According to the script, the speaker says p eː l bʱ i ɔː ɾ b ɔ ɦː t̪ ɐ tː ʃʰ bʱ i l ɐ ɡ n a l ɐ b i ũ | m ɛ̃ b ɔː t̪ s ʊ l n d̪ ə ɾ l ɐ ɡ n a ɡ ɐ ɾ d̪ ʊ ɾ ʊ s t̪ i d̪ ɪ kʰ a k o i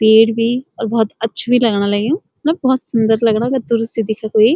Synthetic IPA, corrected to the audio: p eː ɽ bʱ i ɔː ɾ b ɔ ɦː t̪ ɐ tː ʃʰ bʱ i l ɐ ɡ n a l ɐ ɡ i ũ | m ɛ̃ b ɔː t̪ s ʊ n d̪ ə ɾ l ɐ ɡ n a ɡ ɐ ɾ d̪ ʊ ɾ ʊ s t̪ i d̪ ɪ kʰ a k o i